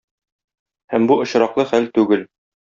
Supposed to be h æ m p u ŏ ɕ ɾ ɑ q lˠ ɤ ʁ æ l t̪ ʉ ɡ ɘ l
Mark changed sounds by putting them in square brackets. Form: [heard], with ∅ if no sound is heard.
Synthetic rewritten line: h æ m [b] u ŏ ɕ ɾ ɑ q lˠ ɤ [χ] æ l t̪ ʉ ɡ ɘ l